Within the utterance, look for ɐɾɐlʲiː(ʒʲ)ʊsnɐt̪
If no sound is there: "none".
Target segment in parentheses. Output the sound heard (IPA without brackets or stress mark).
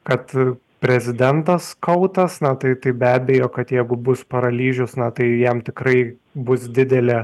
ʒʲ